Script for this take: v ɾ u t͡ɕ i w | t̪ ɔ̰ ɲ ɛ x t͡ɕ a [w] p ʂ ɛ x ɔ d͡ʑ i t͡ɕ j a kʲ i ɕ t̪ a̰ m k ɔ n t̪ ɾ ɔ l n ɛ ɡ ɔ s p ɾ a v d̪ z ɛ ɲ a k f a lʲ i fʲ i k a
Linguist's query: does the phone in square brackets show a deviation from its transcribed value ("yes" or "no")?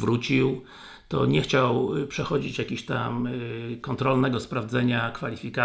no